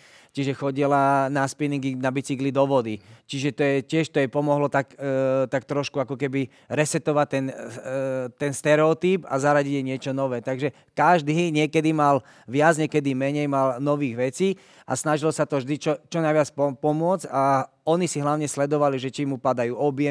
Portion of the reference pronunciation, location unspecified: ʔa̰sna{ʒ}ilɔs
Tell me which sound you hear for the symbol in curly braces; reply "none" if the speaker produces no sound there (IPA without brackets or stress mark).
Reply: ʒ